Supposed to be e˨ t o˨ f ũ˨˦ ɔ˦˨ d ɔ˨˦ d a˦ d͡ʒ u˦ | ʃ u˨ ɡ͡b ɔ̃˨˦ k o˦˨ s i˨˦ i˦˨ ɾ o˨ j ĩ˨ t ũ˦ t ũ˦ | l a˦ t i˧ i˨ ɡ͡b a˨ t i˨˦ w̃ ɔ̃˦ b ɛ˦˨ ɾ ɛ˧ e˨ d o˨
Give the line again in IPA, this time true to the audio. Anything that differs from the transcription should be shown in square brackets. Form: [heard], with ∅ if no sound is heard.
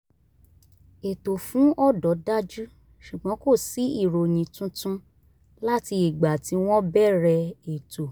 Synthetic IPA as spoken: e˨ t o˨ f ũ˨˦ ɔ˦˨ d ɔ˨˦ d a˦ d͡ʒ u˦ | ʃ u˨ ɡ͡b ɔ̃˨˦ k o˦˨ s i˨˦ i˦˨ ɾ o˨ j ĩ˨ t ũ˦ t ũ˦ | l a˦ t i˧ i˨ ɡ͡b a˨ t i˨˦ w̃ ɔ̃˦ b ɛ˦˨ ɾ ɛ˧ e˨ [t] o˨